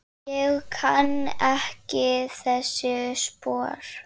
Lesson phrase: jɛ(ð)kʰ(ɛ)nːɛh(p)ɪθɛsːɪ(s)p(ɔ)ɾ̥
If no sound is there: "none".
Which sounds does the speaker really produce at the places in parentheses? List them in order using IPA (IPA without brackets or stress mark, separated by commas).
ɣ, a, c, s, ɔː